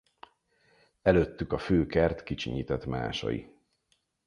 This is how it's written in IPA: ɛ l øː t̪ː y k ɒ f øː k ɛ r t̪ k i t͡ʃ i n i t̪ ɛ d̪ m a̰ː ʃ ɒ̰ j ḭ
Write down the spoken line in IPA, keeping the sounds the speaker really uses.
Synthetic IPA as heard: ɛ l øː t̪ː y k ɒ f øː k ɛ r t̪ k i t͡ʃ i ɲ i t̪ ɛ t̪ m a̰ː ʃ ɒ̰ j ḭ